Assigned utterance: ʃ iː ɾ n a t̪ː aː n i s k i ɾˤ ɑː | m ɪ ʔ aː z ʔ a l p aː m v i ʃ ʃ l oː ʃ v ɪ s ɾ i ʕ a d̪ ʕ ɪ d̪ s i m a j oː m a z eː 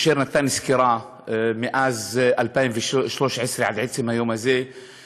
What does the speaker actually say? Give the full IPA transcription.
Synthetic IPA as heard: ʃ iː ɾ n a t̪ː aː n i s k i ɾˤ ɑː | m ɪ ʔ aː z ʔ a l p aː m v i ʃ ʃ l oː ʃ ʕ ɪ s ɾ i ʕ a d̪ ʕ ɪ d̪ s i m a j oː m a z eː